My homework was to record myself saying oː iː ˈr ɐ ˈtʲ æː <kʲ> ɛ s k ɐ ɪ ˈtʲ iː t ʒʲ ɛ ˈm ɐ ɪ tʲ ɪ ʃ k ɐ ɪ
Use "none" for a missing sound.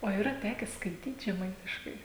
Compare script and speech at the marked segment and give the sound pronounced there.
kʲ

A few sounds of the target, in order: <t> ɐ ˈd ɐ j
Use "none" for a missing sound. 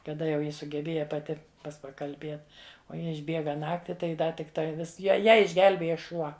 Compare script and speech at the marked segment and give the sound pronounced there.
k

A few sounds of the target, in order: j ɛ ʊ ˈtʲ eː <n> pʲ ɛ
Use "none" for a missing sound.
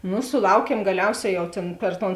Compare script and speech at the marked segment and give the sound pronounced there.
n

